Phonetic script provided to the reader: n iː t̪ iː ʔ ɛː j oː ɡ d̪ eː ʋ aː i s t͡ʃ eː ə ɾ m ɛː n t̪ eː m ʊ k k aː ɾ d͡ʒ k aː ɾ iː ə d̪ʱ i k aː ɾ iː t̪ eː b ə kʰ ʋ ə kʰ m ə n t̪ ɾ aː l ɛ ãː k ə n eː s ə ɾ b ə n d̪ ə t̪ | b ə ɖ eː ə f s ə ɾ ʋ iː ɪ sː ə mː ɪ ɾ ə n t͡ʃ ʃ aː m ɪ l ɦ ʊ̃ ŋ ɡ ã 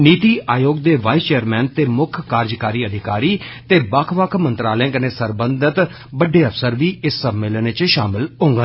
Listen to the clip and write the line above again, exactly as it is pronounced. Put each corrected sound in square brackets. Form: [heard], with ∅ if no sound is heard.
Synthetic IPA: n iː t̪ iː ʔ [aː] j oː ɡ d̪ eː ʋ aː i s t͡ʃ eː ə ɾ m ɛː n t̪ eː m ʊ [kʰ] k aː ɾ d͡ʒ k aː ɾ iː ə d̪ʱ [ɪ] k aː ɾ iː t̪ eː b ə kʰ ʋ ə kʰ m ə n t̪ ɾ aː l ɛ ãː k ə n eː s ə ɾ b ə n d̪ ə t̪ | b ə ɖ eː ə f s ə ɾ ʋ iː ɪ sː ə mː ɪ [l] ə n t͡ʃ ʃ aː m ɪ l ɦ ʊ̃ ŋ ɡ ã